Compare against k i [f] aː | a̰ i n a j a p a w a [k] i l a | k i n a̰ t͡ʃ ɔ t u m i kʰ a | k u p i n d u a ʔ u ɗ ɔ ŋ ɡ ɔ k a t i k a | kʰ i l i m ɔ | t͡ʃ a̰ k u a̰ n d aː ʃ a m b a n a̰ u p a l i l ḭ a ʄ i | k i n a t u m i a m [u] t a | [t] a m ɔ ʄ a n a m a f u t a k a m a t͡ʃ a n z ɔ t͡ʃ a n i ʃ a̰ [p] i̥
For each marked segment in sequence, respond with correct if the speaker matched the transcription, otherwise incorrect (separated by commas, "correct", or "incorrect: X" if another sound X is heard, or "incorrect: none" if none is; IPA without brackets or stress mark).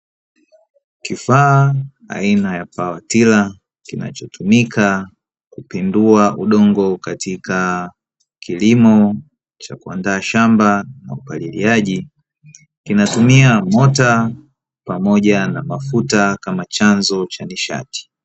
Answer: correct, incorrect: t, incorrect: ɔ, incorrect: p, incorrect: t